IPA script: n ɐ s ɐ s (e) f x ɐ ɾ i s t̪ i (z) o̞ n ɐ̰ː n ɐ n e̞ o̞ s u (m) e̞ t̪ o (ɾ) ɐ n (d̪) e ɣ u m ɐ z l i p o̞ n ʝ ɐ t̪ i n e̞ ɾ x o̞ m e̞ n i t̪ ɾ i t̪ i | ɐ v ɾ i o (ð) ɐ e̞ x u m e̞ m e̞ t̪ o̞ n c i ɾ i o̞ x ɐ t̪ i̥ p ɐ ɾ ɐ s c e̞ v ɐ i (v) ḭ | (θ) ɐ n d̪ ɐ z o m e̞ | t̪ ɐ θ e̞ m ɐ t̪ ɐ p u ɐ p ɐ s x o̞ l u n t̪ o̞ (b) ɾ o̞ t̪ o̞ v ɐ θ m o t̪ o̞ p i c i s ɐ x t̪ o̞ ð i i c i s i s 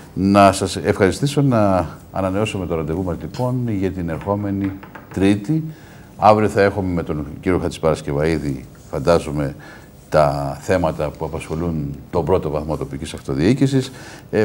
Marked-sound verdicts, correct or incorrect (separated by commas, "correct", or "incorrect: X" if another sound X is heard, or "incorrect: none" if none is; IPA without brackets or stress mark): correct, incorrect: s, correct, correct, correct, incorrect: θ, incorrect: ð, incorrect: f, correct